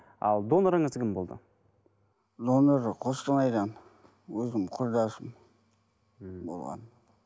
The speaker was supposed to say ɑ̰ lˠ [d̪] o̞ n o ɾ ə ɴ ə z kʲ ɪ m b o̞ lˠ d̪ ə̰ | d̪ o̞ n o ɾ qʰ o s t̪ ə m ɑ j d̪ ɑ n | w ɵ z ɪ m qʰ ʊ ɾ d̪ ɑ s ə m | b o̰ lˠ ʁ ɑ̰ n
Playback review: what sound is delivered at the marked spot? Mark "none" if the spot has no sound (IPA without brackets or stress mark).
d̪